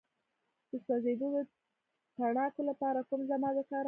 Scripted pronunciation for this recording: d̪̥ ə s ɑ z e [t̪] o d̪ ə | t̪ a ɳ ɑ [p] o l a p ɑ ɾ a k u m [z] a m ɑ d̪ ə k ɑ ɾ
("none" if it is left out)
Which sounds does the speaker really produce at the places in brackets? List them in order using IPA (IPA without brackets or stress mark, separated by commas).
d̪, k, z